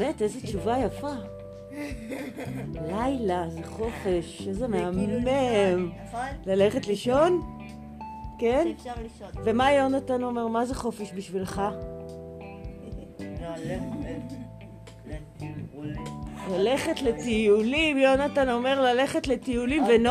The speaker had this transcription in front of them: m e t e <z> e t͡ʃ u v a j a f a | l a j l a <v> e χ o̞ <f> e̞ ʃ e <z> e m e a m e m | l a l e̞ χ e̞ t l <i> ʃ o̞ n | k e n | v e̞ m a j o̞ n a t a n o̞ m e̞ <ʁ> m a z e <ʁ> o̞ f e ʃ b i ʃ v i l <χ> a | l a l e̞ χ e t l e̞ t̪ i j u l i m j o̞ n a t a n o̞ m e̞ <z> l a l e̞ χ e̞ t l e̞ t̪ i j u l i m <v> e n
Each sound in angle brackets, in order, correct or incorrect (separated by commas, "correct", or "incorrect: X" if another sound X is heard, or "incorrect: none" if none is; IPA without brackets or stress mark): correct, incorrect: z, correct, correct, correct, correct, incorrect: χ, correct, incorrect: ʁ, correct